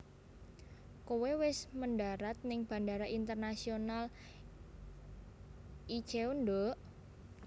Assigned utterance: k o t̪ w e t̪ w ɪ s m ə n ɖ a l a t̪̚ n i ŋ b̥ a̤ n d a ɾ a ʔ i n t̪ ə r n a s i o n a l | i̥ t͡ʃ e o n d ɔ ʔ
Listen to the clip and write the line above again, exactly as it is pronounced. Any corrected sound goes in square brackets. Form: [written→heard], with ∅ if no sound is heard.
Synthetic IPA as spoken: k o [t̪→∅] w e [t̪→∅] w ɪ s m ə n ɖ a [l→ɾ] a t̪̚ n [i→ɪ] ŋ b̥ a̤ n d a ɾ a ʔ i n t̪ ə r n a s i o n a l | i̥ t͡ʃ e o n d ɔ ʔ

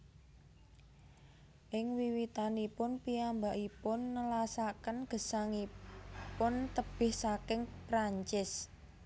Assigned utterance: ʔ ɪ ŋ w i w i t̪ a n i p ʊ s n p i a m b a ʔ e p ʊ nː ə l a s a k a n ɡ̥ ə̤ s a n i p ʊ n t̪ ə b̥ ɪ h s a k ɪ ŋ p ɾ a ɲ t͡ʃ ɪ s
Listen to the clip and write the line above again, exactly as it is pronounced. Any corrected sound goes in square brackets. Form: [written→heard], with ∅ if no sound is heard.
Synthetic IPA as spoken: ʔ ɪ ŋ w i w i t̪ a n i p ʊ [s→∅] n p i a m b a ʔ [e→i] p ʊ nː ə l a s a k [a→ə] n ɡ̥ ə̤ s a [n→ŋ] i p ʊ n t̪ ə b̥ ɪ h s a k ɪ ŋ p ɾ a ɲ t͡ʃ ɪ s

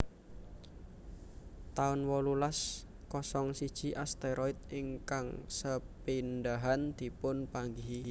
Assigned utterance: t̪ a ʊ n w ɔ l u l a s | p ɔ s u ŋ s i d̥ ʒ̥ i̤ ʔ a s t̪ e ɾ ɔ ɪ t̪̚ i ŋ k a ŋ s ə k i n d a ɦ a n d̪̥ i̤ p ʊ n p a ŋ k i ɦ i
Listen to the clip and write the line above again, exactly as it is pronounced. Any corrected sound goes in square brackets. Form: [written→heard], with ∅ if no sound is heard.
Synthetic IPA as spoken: t̪ a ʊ n w ɔ l u l a s | [p→k] ɔ s [u→ɔ] ŋ s i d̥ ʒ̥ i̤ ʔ a s t̪ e ɾ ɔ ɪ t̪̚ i ŋ k a ŋ s ə [k→p] i n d a ɦ a n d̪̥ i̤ p ʊ n p a ŋ [k→ɡ] i ɦ i

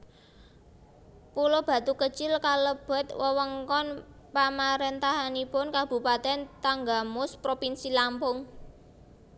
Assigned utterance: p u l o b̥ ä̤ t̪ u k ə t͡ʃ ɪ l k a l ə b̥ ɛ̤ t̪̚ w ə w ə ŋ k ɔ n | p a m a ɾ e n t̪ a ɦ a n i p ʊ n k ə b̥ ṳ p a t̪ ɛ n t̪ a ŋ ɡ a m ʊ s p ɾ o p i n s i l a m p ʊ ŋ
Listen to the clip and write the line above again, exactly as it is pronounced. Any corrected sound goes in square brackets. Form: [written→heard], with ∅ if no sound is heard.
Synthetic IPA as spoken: p u l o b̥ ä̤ t̪ u k ə t͡ʃ ɪ l k a l ə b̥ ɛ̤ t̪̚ w ə w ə ŋ k ɔ n | p a m a ɾ e n t̪ a ɦ a n i p ʊ n k [ə→a] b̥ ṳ p a t̪ ɛ n t̪ a ŋ ɡ a m ʊ s p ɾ o p i n s i l a m p ʊ ŋ

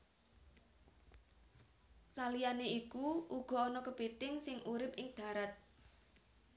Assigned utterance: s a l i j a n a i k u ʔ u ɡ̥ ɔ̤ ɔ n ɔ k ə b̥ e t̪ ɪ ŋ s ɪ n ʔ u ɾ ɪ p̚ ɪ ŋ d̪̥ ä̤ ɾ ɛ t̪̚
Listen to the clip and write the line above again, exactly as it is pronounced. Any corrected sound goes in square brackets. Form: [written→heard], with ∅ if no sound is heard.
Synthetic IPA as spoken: s a l i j a n [a→e] i k u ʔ u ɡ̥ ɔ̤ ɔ n ɔ k ə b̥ e t̪ ɪ ŋ s ɪ [n→ŋ] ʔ u ɾ ɪ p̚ ɪ ŋ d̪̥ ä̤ ɾ [ɛ→a] t̪̚

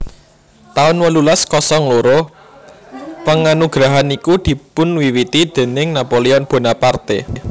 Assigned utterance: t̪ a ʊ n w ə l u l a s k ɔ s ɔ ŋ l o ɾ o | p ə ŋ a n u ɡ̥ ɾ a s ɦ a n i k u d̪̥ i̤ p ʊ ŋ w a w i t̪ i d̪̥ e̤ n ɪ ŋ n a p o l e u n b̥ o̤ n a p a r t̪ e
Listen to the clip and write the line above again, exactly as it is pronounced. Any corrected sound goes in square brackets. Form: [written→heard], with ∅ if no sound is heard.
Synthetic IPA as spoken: t̪ a ʊ n w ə l u l a s k ɔ s ɔ ŋ l o ɾ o | p ə ŋ a n u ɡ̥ ɾ a [s→∅] ɦ a n i k u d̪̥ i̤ p ʊ [ŋ→n] w [a→i] w i t̪ i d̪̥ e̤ n ɪ ŋ n a p o l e [u→ɔ] n b̥ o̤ n a p a r t̪ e

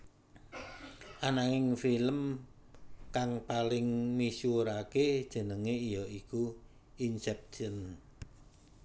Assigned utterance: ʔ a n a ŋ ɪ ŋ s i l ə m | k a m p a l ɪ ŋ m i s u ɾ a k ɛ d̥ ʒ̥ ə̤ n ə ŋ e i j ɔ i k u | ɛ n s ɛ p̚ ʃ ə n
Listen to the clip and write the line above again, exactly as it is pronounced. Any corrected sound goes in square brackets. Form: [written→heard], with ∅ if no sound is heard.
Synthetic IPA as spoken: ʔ a n a ŋ ɪ ŋ [s→f] i l ə m | k a [m→ŋ] p a l ɪ ŋ m i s u ɾ a k [ɛ→e] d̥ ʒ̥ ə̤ n ə ŋ e i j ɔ i k u | [ɛ→i] n s ɛ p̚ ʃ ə n

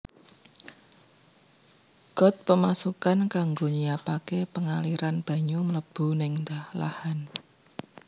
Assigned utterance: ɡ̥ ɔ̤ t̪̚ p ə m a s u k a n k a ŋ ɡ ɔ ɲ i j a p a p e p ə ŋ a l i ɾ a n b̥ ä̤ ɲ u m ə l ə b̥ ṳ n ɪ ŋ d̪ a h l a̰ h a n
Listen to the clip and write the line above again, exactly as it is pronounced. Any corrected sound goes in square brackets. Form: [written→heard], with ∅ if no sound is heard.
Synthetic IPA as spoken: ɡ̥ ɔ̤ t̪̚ p ə m a s u k a n k a ŋ ɡ [ɔ→o] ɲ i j a p a [p→k] e p ə ŋ a l i ɾ a n b̥ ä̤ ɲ u m ə l ə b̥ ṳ n ɪ ŋ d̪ a h l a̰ h a n

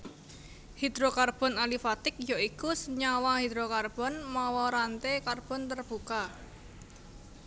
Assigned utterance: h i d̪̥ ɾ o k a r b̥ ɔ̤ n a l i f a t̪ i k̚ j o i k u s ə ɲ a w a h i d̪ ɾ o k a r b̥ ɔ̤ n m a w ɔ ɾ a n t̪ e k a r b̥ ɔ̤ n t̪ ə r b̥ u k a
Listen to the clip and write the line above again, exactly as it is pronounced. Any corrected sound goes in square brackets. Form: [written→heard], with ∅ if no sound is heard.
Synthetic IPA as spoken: h i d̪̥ ɾ o k a r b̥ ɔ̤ n a l i f a t̪ [i→ɪ] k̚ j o i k u s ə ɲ a w a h i d̪ ɾ o k a r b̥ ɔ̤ n m a w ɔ ɾ a n t̪ e k a r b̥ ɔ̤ n t̪ ə r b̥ u k a

